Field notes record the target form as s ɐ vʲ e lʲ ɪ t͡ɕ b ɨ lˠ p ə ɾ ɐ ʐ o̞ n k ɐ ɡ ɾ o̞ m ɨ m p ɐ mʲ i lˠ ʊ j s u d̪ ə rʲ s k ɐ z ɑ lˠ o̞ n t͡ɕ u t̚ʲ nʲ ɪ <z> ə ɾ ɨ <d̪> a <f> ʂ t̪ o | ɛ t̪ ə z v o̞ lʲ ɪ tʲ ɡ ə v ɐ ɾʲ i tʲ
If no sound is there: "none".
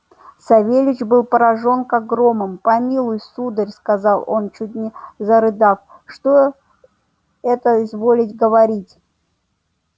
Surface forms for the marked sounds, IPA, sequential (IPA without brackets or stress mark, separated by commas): z, d̪, f